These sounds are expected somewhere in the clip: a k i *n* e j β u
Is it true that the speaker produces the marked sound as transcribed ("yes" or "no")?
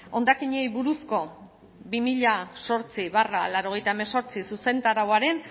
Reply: no